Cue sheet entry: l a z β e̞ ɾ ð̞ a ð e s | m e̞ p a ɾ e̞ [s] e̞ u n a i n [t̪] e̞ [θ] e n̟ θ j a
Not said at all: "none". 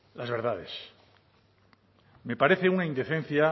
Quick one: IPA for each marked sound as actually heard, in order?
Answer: θ, d̪, θ

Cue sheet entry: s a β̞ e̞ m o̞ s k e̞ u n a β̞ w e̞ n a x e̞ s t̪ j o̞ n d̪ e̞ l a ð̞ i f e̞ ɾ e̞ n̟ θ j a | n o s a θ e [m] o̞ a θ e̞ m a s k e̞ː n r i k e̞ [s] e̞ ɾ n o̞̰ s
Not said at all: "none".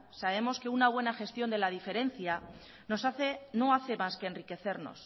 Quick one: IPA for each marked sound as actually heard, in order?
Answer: n, θ

